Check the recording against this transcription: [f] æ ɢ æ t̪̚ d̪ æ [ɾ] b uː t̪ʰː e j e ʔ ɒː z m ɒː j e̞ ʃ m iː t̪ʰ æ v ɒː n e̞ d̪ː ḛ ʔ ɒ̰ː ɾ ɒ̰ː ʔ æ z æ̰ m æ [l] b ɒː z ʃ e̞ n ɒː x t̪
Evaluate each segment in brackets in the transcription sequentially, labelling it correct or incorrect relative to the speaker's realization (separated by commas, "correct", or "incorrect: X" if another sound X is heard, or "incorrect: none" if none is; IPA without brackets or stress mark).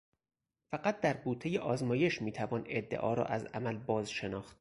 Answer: correct, correct, correct